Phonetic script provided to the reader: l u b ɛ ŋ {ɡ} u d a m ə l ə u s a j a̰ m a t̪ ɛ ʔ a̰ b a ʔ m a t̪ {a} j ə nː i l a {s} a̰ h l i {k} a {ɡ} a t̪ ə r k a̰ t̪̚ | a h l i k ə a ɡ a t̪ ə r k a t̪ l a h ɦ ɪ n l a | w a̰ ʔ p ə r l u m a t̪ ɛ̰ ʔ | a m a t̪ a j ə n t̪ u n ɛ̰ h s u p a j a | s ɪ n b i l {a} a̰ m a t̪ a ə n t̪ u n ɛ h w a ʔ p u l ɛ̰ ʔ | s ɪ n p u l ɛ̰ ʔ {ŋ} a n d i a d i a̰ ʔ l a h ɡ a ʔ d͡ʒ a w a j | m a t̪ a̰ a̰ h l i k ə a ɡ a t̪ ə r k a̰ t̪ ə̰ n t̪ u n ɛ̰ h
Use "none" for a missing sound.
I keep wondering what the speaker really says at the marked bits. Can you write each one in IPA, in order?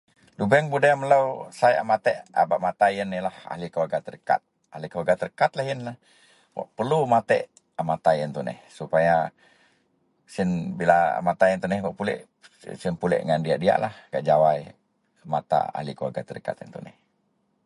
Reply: b, a, h, k, ɡ, a, ŋ

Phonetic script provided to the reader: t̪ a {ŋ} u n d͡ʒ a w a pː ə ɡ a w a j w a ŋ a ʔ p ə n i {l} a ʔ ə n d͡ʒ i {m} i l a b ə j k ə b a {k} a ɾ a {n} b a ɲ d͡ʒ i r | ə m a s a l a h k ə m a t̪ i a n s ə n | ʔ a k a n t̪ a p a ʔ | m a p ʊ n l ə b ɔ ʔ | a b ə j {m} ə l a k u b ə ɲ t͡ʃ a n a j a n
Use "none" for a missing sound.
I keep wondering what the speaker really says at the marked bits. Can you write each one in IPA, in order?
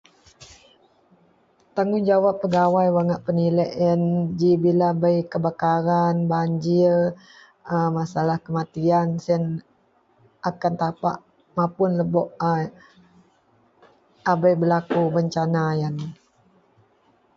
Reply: ŋ, l, b, k, n, b

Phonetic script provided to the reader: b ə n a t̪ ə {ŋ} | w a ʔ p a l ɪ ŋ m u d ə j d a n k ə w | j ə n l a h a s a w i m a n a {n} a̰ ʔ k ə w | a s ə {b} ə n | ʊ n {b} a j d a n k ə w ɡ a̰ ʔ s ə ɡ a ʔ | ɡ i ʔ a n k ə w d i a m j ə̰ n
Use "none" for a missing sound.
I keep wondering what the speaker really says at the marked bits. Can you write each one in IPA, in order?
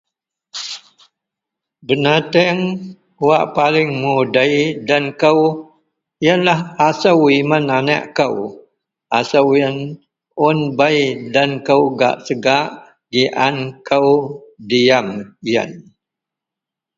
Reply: ŋ, n, w, b

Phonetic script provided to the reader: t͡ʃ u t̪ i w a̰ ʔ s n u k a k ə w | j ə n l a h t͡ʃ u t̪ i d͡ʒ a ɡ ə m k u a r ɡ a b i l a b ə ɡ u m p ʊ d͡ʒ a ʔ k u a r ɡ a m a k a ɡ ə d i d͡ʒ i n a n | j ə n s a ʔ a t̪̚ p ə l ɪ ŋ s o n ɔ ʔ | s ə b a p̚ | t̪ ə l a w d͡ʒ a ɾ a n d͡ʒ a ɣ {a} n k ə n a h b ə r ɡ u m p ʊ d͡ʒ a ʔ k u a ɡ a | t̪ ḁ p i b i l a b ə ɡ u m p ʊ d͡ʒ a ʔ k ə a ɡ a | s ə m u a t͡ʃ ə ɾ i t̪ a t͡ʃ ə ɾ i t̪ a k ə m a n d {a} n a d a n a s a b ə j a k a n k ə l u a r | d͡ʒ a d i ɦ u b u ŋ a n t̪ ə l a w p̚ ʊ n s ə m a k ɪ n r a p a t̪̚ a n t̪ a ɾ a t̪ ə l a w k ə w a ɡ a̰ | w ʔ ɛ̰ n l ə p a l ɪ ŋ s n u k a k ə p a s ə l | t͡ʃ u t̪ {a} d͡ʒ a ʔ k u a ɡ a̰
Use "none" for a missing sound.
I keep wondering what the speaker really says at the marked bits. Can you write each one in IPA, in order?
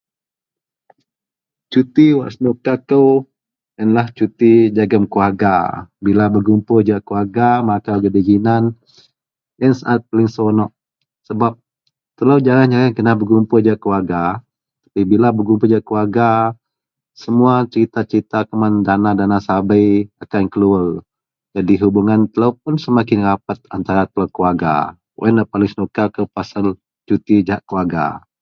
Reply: a, a, i

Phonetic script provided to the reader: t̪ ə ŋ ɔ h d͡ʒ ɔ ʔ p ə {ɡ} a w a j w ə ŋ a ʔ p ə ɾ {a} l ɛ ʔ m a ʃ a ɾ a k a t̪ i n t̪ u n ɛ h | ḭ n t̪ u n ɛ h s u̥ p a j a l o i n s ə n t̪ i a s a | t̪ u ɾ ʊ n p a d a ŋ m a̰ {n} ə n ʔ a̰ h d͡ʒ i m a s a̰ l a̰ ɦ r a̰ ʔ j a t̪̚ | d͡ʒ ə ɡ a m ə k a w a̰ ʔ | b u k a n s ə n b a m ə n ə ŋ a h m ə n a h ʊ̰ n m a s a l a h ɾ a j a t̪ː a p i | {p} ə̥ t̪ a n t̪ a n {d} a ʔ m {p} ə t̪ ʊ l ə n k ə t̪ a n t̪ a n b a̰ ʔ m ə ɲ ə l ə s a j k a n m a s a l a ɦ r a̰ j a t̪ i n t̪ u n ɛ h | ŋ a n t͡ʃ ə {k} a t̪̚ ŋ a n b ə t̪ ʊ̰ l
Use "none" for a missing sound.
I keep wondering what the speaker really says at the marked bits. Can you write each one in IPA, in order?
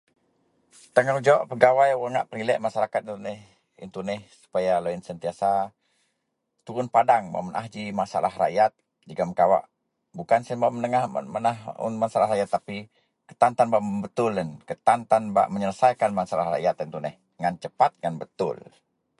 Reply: ɡ, i, m, k, b, b, p

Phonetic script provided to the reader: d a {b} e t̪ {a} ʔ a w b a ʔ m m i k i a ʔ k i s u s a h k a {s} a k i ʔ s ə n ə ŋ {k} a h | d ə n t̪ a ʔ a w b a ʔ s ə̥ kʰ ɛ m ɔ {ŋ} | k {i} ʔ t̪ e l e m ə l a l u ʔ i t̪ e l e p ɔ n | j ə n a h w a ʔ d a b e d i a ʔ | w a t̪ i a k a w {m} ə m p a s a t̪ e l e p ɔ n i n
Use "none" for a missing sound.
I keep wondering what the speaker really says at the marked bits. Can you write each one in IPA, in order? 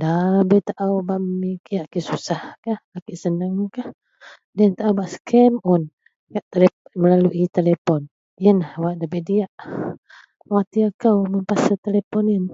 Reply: b, a, h, k, n, a, m

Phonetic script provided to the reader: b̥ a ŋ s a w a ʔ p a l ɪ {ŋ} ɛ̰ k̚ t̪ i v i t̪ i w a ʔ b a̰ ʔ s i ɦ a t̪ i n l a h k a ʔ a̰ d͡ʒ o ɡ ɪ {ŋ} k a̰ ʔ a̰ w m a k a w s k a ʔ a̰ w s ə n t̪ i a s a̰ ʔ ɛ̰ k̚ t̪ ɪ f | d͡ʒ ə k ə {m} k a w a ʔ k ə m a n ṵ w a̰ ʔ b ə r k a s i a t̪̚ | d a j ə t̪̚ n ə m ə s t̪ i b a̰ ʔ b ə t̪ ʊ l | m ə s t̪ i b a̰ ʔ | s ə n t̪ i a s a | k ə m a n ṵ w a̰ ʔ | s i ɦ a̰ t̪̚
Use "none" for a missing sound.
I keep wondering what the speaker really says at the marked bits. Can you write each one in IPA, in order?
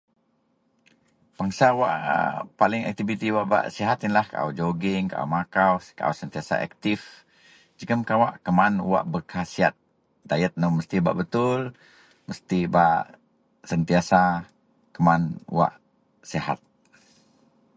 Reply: ŋ, ŋ, m

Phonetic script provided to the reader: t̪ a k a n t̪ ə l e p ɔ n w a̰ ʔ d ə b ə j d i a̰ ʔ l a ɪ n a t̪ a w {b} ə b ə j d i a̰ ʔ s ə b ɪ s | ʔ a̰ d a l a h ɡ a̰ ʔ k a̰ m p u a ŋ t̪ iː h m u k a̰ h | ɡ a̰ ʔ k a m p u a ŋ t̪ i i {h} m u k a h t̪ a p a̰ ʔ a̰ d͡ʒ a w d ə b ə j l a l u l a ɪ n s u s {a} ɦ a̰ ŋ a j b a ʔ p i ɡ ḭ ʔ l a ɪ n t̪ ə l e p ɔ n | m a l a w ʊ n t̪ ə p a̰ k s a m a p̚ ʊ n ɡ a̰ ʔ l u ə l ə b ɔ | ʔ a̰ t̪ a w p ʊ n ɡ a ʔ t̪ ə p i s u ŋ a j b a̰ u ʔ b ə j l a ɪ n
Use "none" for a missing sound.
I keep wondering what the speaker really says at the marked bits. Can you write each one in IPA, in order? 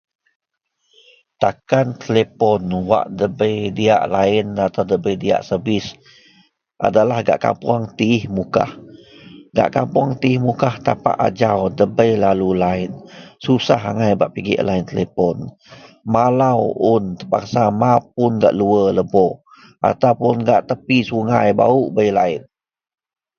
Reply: d, h, a

